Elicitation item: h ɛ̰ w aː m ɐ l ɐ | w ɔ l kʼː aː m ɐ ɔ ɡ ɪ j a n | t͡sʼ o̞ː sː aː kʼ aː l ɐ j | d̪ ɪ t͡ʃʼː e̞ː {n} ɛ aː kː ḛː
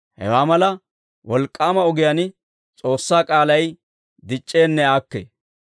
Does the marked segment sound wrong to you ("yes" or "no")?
yes